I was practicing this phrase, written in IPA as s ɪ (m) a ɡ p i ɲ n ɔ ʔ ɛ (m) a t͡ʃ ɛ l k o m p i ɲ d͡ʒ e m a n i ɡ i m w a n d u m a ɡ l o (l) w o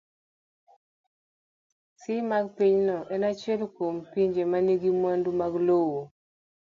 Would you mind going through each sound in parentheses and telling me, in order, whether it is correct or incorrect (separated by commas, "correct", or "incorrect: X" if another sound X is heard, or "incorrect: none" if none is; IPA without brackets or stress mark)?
correct, incorrect: n, incorrect: none